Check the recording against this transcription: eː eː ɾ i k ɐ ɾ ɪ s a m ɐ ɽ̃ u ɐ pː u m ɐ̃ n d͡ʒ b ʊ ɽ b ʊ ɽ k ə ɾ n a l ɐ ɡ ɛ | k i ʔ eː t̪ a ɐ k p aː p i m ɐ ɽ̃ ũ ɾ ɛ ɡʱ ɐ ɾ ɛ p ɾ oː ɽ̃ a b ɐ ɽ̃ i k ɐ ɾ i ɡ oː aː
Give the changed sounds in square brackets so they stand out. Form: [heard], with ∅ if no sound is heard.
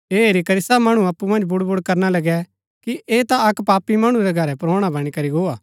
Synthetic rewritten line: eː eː ɾ i k ɐ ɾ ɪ s a m ɐ ɽ̃ u ɐ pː u m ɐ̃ n d͡ʒ b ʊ ɽ b ʊ ɽ k [ɐ] ɾ n a l ɐ ɡ ɛ | k i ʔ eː t̪ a ɐ k p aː p i m ɐ ɽ̃ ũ ɾ ɛ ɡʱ ɐ ɾ ɛ p ɾ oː ɽ̃ a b ɐ ɽ̃ i k ɐ ɾ i ɡ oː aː